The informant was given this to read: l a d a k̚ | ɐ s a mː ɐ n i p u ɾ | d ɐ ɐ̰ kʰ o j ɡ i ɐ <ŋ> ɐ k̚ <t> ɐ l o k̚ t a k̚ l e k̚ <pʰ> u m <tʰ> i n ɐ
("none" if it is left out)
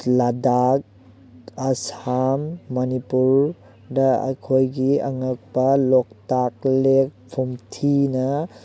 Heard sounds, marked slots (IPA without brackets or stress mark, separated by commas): ŋ, p, pʰ, tʰ